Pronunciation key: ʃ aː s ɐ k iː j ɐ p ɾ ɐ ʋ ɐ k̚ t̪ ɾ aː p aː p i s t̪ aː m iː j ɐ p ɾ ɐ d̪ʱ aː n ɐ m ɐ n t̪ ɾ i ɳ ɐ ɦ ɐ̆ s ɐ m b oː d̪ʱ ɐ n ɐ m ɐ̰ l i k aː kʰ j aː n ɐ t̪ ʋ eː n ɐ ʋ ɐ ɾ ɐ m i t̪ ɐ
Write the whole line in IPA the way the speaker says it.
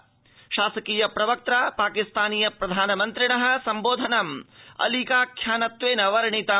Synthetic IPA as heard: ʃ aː s ɐ k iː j ɐ p ɾ ɐ ʋ ɐ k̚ t̪ ɾ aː p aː k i s t̪ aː n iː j ɐ p ɾ ɐ d̪ʱ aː n ɐ m ɐ n t̪ ɾ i ɳ ɐ ɦ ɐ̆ s ɐ m b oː d̪ʱ ɐ n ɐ m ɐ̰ l i k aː kʰ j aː n ɐ t̪ ʋ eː n ɐ ʋ ɐ ɾ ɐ ɳ i t̪ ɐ